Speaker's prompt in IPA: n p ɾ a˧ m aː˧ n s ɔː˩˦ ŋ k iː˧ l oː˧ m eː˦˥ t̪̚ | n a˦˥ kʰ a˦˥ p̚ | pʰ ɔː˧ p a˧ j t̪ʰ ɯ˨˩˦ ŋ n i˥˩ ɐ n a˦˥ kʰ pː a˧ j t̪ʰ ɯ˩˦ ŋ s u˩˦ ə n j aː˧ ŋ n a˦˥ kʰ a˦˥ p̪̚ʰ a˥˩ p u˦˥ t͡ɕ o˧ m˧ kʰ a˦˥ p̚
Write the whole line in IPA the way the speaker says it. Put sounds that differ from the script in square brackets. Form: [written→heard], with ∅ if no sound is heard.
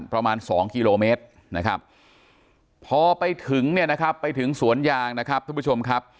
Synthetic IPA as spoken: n p ɾ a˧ m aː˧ n s ɔː˩˦ ŋ k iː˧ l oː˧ m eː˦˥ t̪̚ | n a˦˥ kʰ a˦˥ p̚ | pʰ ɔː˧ p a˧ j t̪ʰ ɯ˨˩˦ ŋ n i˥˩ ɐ n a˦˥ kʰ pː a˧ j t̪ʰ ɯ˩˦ ŋ s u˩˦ ə n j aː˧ ŋ n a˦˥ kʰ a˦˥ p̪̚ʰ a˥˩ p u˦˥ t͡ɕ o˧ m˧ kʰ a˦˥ p̚